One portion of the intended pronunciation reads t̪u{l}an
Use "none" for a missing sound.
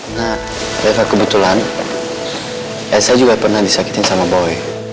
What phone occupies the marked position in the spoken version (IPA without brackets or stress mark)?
l